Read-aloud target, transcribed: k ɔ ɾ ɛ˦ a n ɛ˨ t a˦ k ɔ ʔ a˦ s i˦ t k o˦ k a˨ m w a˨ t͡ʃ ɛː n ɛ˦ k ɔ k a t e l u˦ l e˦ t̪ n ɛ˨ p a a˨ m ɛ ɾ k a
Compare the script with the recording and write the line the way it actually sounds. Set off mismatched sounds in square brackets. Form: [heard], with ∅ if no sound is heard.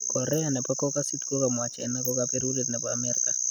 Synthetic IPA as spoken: k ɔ ɾ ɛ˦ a n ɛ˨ [p] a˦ k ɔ [k] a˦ s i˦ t k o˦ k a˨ m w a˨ t͡ʃ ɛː n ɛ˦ k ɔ k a [p] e [ɾ] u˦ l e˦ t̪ n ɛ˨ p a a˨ m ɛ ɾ k a

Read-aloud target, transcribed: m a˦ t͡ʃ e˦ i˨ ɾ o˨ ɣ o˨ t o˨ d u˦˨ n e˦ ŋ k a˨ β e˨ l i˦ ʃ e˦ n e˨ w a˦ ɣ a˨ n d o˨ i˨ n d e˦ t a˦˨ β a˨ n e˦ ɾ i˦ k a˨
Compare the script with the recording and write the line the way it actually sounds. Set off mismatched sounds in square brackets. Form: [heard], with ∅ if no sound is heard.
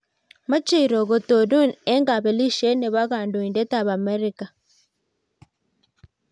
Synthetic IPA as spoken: m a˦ t͡ʃ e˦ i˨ ɾ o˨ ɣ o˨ t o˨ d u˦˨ n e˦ ŋ [ɡ] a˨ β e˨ l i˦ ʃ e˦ n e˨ [β] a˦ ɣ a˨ n d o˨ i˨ n d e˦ t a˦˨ β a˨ [m] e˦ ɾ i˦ k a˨

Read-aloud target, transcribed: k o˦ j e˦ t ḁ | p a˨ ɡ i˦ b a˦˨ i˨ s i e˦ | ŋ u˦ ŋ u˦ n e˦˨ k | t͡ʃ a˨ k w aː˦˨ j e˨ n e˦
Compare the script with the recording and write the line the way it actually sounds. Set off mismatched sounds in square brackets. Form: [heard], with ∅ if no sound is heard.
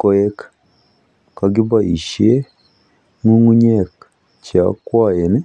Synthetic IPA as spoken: k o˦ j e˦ [k] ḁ | [k] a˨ ɡ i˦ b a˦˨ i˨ [ʃ] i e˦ | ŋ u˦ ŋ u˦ [ɲ] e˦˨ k | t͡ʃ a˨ k w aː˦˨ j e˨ n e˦

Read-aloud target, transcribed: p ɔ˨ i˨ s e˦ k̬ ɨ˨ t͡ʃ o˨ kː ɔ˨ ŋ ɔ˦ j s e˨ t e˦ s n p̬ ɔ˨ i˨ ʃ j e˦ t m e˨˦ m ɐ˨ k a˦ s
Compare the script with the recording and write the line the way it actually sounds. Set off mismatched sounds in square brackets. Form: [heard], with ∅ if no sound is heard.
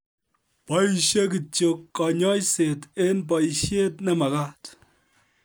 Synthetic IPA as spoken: p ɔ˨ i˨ [ʃ] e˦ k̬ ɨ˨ t͡ʃ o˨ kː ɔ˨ [ɲ] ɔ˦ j s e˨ t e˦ [∅] n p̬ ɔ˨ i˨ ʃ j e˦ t [n] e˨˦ m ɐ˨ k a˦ [t]

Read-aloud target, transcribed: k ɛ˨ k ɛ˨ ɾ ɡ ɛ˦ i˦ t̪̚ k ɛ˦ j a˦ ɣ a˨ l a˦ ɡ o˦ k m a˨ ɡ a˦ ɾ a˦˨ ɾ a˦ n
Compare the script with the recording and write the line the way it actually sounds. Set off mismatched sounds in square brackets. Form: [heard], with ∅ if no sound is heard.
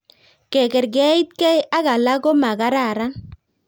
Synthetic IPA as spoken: k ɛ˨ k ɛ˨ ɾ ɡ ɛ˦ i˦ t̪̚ k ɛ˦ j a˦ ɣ a˨ l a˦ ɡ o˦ [∅] m a˨ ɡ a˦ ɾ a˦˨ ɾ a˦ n

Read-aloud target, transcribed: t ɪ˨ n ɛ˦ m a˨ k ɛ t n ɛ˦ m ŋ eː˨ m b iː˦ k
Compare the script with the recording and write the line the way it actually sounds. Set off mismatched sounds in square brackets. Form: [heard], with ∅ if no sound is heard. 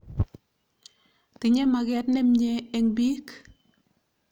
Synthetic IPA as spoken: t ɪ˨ [ɲ] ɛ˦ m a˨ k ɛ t n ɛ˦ m [ɲ] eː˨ [ŋ] b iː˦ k

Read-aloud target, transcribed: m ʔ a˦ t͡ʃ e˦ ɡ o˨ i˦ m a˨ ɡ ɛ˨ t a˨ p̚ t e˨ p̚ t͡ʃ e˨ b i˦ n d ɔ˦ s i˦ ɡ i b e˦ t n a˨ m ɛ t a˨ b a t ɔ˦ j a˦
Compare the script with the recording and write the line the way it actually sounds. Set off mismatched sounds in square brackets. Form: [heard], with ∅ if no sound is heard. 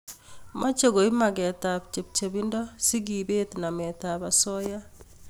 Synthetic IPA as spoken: m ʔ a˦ t͡ʃ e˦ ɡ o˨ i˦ m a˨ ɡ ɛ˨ t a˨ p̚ [t͡ʃ] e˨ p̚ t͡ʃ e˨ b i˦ n d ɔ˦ s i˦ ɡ i b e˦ t n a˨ m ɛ t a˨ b a [s] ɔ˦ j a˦

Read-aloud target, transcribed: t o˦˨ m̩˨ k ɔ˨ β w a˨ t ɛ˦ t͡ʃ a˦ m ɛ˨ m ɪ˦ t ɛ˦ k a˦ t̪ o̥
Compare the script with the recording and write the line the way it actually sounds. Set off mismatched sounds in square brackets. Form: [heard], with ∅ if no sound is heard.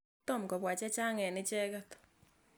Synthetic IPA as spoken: t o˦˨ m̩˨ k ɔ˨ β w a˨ [t͡ʃ] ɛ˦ t͡ʃ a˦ [ŋ] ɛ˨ [n] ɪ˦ [t͡ʃ] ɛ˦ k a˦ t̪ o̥

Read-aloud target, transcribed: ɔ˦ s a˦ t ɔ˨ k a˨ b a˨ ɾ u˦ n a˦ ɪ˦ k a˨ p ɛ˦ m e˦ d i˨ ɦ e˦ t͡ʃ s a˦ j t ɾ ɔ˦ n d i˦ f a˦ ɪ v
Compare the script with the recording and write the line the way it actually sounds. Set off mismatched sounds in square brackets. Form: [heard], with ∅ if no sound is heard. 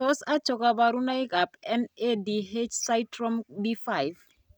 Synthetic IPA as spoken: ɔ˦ s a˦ [t͡ʃ] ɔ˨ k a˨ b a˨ ɾ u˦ n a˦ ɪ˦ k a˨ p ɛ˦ [n] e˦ d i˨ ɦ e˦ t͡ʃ s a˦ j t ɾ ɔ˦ [m] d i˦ f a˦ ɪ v

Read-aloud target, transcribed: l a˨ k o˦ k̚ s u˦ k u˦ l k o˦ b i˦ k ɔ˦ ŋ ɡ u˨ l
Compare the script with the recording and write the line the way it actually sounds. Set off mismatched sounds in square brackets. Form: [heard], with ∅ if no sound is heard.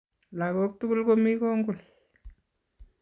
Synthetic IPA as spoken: l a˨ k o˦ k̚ [t] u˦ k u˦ l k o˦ [m] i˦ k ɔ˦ ŋ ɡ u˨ l

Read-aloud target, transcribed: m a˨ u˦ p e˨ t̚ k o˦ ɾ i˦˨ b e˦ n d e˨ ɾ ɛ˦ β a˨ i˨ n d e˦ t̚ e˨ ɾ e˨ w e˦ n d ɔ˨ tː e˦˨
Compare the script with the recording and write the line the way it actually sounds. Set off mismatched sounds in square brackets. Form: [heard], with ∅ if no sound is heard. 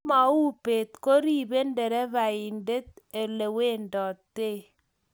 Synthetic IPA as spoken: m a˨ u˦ p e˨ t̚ k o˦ ɾ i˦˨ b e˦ n d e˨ ɾ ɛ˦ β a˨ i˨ n d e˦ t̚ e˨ [l] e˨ w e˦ n d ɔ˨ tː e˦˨

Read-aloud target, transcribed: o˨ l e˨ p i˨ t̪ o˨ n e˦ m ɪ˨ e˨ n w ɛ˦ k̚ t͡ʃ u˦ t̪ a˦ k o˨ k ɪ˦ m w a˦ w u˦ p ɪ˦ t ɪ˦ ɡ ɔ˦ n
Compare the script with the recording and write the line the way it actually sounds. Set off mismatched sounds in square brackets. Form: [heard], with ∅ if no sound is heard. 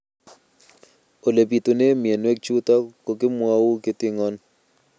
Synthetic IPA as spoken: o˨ l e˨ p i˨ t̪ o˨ n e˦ m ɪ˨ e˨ n w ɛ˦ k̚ t͡ʃ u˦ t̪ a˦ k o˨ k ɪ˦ m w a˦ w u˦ [k] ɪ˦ t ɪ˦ [ŋ] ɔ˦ n

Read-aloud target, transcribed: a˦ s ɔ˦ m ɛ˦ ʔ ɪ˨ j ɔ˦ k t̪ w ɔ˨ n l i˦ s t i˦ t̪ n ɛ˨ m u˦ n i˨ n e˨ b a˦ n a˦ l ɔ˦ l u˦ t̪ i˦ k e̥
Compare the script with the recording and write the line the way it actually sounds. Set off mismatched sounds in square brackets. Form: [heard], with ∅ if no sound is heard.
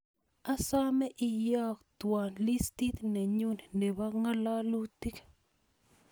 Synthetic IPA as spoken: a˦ s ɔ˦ m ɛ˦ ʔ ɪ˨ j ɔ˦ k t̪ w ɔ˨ n l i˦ s t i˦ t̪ n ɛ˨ [ɲ] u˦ n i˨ n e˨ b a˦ [ŋ] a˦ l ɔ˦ l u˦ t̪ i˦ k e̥

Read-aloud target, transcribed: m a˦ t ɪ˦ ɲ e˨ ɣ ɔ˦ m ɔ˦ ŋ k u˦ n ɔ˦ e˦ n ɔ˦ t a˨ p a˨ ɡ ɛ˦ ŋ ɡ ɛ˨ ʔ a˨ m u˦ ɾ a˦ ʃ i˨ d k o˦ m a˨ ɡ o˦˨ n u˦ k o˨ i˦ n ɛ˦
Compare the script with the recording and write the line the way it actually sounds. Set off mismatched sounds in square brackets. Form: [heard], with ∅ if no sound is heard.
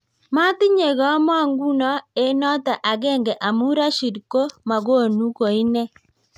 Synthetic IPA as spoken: m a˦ t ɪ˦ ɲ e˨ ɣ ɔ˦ m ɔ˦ ŋ [ɡ] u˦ n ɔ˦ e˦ n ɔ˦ t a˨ [ʔ] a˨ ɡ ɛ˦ ŋ ɡ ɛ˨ ʔ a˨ m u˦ ɾ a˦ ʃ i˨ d k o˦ m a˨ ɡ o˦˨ n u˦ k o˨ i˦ n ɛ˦

